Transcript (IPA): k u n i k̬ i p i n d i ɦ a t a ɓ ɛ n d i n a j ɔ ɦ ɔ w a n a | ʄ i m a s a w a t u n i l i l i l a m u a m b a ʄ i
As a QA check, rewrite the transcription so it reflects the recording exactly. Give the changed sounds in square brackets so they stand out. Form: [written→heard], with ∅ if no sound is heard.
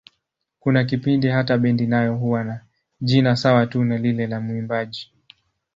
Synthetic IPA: k u n [i→a] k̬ i p i n d i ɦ a t a ɓ ɛ n d i n a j ɔ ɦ [ɔ→u] w a n a | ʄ i [m→n] a s a w a t u n [i→a] l i l [i→ɛ] l a m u [a→i] m b a ʄ i